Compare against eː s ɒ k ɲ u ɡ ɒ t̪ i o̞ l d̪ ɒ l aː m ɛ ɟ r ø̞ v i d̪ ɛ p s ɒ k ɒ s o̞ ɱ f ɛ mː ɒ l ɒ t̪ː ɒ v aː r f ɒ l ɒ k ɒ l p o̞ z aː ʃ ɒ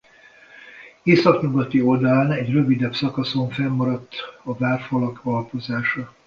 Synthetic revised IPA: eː s ɒ k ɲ u ɡ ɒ t̪ i o̞ l d̪ ɒ l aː n ɛ ɟ r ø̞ v i d̪ ɛ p s ɒ k ɒ s o̞ ɱ f ɛ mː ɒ ɾ ɒ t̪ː ɒ v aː r f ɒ l ɒ k ɒ l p o̞ z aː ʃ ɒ